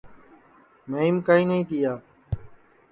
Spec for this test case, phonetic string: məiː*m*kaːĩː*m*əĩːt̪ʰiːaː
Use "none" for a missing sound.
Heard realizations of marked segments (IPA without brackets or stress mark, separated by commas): m, n